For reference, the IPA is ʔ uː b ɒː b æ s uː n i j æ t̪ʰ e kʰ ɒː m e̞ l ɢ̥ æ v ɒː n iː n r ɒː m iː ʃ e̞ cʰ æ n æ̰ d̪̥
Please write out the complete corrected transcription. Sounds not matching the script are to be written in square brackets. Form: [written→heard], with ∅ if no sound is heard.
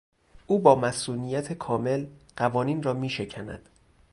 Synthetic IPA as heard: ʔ uː b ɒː [b→m] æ s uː n i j æ t̪ʰ e kʰ ɒː m e̞ l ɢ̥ æ v ɒː n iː n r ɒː m iː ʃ e̞ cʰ æ n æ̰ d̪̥